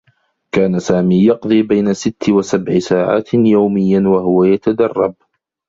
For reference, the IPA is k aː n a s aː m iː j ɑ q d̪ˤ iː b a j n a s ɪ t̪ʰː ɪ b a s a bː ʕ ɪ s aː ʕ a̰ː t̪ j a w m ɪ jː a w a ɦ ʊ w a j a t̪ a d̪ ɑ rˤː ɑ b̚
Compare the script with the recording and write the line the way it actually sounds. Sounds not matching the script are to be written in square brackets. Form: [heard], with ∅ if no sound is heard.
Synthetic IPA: k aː n a s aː m iː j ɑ q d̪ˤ iː b a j n a s ɪ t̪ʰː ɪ [w] a s a [b] ʕ ɪ s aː ʕ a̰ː t̪ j a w m ɪ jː a w a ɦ ʊ w a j a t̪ a d̪ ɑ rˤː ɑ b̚